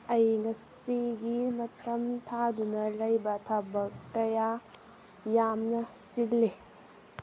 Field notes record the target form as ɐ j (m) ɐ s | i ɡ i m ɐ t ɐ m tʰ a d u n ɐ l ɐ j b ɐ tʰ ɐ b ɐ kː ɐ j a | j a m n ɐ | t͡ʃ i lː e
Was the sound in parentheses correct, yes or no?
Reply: no